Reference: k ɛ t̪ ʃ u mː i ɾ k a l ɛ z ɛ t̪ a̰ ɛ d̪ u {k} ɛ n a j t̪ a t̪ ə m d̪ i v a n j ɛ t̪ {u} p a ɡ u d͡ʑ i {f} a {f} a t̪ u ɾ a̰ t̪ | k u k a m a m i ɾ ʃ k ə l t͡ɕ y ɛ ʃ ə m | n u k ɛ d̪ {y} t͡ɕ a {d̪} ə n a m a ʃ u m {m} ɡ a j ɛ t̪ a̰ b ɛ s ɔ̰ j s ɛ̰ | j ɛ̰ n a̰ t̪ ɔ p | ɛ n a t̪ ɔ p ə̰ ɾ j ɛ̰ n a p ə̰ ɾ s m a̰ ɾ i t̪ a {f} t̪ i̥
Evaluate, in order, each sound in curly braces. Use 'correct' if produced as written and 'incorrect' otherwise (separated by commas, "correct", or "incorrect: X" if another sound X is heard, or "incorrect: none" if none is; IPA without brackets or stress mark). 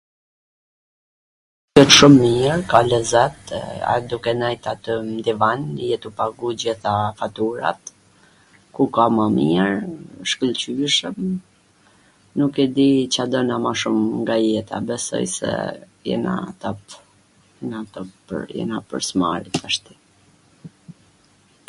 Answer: correct, correct, incorrect: θ, correct, incorrect: i, correct, incorrect: ŋ, incorrect: ʃ